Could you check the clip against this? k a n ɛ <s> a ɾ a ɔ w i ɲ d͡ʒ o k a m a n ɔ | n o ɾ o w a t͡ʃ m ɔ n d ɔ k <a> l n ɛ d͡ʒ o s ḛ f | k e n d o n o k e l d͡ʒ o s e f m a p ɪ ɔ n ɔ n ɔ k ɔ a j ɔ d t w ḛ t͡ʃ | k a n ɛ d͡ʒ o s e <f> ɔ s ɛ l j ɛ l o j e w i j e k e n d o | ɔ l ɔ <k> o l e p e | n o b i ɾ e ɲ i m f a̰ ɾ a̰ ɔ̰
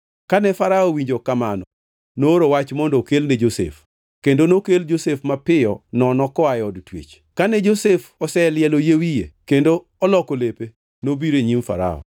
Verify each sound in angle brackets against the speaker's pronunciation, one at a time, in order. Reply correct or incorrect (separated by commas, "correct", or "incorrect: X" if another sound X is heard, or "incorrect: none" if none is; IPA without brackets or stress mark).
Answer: incorrect: f, incorrect: e, correct, correct